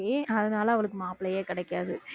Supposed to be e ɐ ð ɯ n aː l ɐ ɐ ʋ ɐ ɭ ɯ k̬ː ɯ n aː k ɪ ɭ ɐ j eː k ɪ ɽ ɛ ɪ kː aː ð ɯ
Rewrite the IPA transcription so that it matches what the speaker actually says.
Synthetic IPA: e ɐ ð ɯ n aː l ɐ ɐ ʋ ɐ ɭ ɯ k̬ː ɯ m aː p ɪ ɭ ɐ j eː k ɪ ɽ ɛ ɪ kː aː ð ɯ